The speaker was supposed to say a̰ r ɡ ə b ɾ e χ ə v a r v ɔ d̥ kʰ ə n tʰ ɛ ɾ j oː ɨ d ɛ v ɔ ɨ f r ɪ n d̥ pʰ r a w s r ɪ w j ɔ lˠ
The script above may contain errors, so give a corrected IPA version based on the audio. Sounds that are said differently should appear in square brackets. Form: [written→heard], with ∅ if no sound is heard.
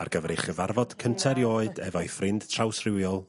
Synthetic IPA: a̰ r ɡ ə [b→v] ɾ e χ ə v a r v ɔ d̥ kʰ ə n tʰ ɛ ɾ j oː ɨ d ɛ v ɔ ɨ f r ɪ n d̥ [pʰ→tʰ] r a w s r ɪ w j ɔ lˠ